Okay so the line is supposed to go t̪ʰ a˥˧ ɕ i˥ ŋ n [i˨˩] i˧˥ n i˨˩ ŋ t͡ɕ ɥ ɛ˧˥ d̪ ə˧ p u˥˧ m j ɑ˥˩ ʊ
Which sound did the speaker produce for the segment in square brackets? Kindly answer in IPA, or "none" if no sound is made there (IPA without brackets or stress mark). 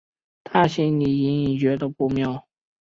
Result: i˨˩